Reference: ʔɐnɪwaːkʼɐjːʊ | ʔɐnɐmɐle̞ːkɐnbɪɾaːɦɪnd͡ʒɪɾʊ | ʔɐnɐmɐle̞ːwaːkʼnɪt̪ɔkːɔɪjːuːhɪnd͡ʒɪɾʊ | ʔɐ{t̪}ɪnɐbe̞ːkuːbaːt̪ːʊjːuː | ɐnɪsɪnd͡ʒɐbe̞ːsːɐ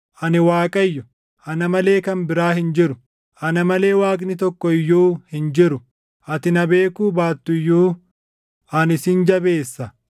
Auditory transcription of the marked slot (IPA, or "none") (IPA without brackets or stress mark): t̪